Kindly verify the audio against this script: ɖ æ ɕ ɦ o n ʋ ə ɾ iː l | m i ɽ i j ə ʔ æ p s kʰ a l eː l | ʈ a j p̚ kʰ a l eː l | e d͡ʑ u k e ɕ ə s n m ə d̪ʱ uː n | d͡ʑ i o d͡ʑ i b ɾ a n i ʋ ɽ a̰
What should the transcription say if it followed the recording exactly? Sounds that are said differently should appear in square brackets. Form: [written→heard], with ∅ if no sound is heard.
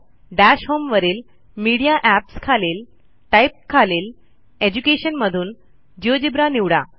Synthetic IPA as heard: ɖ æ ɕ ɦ o [n→m] ʋ ə ɾ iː l | m i ɽ i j [ə→a] ʔ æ p s kʰ a l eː l | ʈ a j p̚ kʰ a l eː l | e d͡ʑ u k e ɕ ə [s→∅] n m ə d̪ʱ uː n | d͡ʑ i o d͡ʑ i b ɾ a n i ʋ ɽ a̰

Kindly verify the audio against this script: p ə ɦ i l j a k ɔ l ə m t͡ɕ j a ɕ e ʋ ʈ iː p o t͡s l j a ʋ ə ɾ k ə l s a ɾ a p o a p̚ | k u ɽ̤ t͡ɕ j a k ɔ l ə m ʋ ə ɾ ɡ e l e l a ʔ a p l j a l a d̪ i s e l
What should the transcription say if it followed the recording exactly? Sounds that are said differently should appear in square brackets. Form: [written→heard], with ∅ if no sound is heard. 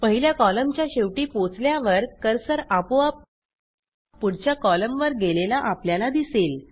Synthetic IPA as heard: p ə ɦ i l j a k ɔ l ə m t͡ɕ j a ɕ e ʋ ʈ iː p o t͡s l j a ʋ ə ɾ k ə [l→ɾ] s [a→ə] ɾ a p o a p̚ | [k→p] u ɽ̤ t͡ɕ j a k ɔ l ə m ʋ ə ɾ ɡ e l e l a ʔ a p l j a l a d̪ i s e l

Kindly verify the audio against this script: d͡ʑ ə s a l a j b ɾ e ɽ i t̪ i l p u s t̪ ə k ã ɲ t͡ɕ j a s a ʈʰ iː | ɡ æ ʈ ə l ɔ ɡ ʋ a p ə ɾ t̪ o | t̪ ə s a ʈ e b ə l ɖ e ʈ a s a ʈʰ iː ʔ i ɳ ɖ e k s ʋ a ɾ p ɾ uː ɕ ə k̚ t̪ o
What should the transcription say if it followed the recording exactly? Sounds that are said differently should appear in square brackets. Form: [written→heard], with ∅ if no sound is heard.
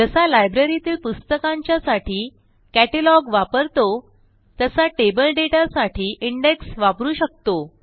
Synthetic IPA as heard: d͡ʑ ə s a l a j b ɾ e [ɽ→ɾ] i t̪ [i→iː] l p u s t̪ ə k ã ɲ t͡ɕ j a s a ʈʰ iː | [ɡ→k] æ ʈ ə l ɔ ɡ ʋ a p ə ɾ t̪ o | t̪ ə s a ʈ e b ə l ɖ e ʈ a s a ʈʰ iː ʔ i ɳ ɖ e k s ʋ a [ɾ→∅] p ɾ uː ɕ ə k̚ t̪ o

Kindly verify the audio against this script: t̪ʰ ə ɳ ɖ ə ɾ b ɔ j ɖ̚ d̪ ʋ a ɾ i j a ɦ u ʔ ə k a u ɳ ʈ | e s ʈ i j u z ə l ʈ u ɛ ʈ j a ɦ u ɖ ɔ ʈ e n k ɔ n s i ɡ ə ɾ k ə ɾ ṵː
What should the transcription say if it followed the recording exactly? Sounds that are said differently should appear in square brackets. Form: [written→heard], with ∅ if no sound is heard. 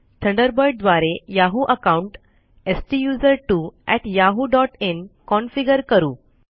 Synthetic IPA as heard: t̪ʰ ə ɳ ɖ ə ɾ b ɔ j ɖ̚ d̪ ʋ a ɾ [i→e] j a ɦ u ʔ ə k a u ɳ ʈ | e s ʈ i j u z ə [l→ɾ] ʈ u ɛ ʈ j a ɦ u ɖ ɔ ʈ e n k ɔ n [s→f] i ɡ ə ɾ k ə ɾ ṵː

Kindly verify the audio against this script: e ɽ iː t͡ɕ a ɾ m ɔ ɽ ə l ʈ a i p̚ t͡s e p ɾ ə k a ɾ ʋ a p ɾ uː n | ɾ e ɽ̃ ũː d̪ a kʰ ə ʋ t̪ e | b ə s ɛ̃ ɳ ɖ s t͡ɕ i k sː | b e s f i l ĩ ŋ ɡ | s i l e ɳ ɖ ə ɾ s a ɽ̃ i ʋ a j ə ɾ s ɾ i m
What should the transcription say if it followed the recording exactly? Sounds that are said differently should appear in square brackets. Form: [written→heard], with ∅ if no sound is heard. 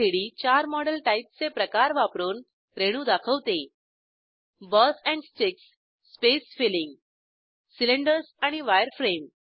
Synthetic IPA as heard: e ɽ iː t͡ɕ a ɾ m ɔ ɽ ə l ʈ a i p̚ t͡s e p ɾ ə k a ɾ ʋ a p ɾ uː n | ɾ e ɽ̃ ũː d̪ a kʰ ə ʋ t̪ e | b ə s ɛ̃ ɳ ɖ s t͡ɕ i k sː | [b→p] e s f i l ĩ ŋ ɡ | s i l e ɳ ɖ ə ɾ s a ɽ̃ i ʋ a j ə ɾ [s→f] ɾ [i→e] m

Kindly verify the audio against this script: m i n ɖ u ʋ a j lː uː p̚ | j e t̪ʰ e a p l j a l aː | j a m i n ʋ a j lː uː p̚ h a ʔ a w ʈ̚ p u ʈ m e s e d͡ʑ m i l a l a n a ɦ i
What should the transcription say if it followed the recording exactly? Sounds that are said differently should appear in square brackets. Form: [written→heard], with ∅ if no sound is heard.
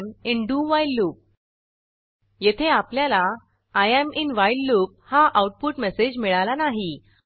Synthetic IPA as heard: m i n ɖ u ʋ a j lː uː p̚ | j e t̪ʰ e a p l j a l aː | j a m i n ʋ a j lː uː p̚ h a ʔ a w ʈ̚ p u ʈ m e s e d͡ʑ m i [l→ɭ] a l a n a ɦ i

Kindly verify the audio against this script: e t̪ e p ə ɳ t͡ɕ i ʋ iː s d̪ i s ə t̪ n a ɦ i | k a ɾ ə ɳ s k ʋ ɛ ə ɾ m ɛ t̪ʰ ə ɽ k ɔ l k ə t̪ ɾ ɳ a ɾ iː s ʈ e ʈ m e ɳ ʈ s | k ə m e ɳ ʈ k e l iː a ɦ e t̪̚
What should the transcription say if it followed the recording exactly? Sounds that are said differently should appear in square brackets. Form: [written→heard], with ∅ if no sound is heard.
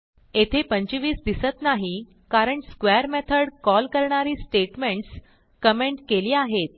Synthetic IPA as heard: e [t̪→t̪ʰ] e p ə [ɳ→ɲ] t͡ɕ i ʋ iː s d̪ i s ə t̪ n a ɦ i | k a ɾ ə ɳ s k ʋ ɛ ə ɾ m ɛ t̪ʰ ə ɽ k ɔ l k ə [t̪→∅] ɾ ɳ a ɾ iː s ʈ e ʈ m e ɳ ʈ s | k ə m e ɳ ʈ k e l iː a ɦ e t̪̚

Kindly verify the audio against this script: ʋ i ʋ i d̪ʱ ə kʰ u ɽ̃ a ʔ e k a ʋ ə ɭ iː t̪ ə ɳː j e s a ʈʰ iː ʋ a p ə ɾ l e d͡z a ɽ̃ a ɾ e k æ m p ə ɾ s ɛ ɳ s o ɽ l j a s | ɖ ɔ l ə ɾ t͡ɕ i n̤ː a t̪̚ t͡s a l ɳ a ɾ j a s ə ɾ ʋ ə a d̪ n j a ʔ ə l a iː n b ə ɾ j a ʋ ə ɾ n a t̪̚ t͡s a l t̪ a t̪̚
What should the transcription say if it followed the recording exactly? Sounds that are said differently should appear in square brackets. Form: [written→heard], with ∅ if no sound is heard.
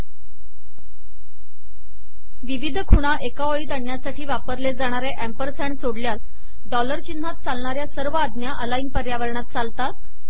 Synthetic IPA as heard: ʋ i ʋ i d̪ʱ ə kʰ u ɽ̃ a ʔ e k a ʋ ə ɭ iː t̪ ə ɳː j [e→a] s a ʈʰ iː ʋ a p ə ɾ l e d͡z a ɽ̃ a ɾ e [k→ʔ] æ m p ə ɾ s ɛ ɳ s o ɽ l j a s | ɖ ɔ l ə ɾ t͡ɕ i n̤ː a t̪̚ t͡s a l ɳ a ɾ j a s ə ɾ ʋ ə a d̪ n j a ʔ ə l a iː n [b→p] ə ɾ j a ʋ ə ɾ [n→ɳ] a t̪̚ t͡s a l t̪ a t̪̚

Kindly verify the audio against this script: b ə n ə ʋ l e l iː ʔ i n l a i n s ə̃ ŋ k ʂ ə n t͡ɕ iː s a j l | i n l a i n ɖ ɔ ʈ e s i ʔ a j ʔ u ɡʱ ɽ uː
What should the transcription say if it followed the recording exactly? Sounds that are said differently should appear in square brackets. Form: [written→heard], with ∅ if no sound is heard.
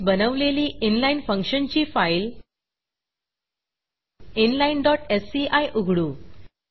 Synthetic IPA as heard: b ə n ə ʋ l e l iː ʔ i n l a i n [s→f] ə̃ ŋ k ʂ ə n t͡ɕ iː [s→f] a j l | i n l a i n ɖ ɔ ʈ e s i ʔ a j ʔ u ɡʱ ɽ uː

